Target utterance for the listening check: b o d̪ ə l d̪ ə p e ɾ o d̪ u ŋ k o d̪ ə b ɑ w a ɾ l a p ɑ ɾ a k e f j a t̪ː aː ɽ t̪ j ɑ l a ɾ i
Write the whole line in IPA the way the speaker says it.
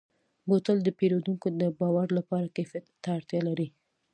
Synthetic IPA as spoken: b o t̪ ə l d̪ ə p e ɾ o d̪ u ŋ k o d̪ ə b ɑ w a ɾ l a p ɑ ɾ a k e f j a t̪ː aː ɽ t̪ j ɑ l a ɾ i